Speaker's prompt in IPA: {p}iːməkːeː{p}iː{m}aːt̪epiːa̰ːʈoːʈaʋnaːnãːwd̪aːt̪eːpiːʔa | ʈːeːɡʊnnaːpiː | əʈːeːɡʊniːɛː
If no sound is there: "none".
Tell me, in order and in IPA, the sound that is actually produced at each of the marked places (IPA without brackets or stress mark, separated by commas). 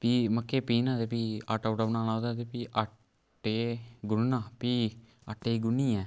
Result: p, p, n